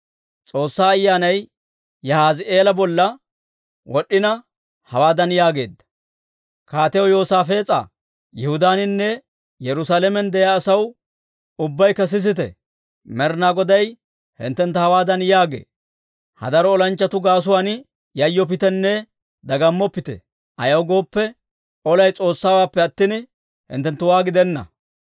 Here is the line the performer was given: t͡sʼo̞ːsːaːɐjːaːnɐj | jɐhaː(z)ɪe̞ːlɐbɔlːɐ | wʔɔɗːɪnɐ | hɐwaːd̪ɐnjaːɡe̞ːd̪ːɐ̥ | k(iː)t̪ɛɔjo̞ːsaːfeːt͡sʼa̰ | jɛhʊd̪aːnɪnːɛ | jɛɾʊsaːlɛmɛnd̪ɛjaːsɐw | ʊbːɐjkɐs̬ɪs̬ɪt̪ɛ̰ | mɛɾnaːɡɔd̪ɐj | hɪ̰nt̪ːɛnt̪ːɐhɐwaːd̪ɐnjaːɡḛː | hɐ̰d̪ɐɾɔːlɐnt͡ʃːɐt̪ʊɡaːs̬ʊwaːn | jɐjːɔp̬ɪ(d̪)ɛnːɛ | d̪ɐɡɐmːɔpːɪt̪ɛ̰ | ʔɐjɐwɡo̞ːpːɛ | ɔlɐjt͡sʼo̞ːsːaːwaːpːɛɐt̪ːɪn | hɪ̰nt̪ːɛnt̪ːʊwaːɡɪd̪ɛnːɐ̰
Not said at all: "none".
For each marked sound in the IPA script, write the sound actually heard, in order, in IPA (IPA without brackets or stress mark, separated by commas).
z, aː, t̪